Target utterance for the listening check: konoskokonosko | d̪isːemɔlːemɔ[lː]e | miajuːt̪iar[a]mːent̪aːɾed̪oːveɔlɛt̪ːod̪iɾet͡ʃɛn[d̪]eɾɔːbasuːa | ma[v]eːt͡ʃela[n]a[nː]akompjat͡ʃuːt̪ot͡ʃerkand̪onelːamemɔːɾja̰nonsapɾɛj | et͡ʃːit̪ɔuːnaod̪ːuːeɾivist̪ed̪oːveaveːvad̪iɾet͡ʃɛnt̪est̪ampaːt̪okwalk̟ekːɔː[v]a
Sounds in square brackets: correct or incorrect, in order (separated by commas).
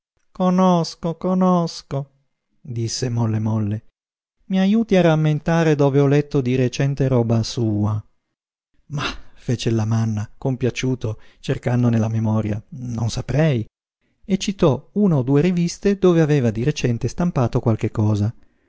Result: correct, correct, incorrect, incorrect, incorrect, correct, incorrect